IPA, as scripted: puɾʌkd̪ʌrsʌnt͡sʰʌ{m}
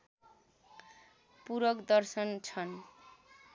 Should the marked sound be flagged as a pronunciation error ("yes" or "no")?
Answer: yes